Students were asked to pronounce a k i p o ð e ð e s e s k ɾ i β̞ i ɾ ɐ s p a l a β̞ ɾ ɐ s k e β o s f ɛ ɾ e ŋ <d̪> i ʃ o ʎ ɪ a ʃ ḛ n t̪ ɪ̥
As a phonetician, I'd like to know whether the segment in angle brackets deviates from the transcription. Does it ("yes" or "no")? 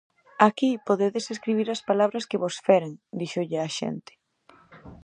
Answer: no